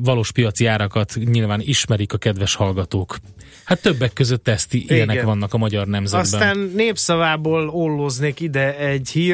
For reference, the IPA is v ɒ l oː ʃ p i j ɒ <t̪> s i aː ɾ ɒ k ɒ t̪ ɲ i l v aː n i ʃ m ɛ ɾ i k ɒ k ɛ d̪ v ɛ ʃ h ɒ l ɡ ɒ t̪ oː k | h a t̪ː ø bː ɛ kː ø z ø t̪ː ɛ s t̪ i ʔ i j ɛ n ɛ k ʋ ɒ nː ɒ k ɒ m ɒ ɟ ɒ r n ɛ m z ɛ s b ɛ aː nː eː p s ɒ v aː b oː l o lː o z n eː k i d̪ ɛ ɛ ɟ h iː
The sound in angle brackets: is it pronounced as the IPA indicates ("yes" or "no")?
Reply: yes